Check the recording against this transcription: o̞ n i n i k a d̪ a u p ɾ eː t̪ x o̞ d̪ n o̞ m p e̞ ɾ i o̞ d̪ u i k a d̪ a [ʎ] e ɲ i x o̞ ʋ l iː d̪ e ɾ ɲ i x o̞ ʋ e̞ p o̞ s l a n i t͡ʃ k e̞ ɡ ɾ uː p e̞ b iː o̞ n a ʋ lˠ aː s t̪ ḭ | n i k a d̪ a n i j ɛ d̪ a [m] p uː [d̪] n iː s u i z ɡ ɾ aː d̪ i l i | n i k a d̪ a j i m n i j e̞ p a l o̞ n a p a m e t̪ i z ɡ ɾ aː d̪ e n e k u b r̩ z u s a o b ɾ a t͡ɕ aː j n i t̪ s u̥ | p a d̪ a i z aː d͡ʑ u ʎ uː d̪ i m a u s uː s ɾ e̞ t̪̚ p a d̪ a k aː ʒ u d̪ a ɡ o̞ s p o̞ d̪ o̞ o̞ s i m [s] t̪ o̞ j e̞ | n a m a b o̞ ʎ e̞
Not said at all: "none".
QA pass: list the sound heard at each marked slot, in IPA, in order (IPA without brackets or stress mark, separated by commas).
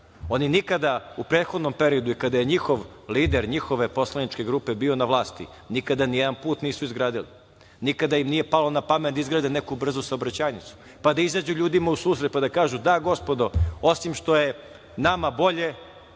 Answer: j, n, t̪, ʃ